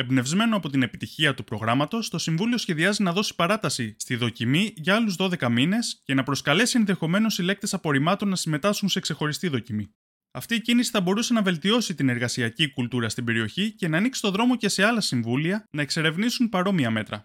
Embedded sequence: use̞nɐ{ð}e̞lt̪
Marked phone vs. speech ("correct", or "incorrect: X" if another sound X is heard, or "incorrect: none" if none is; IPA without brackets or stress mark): incorrect: v